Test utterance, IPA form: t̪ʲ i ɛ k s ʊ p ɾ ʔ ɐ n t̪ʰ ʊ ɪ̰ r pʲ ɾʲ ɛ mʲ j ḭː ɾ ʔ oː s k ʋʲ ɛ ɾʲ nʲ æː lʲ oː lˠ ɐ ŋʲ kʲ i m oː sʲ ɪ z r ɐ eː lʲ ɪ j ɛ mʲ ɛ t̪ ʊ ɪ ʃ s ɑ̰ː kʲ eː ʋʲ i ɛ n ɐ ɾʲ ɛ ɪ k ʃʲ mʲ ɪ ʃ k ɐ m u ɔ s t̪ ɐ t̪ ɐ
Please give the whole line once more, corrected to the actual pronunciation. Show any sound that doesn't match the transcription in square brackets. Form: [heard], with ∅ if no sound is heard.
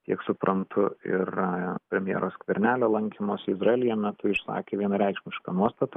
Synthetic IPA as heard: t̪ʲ i ɛ k s ʊ p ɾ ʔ ɐ n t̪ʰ ʊ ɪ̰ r pʲ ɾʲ ɛ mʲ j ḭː ɾ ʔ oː s k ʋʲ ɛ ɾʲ nʲ æː lʲ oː lˠ ɐ ŋʲ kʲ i m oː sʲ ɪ z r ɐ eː lʲ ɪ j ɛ mʲ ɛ t̪ ʊ ɪ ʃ s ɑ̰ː kʲ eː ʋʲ i ɛ n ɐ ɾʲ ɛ ɪ k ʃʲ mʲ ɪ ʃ k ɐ [n] u ɔ s t̪ ɐ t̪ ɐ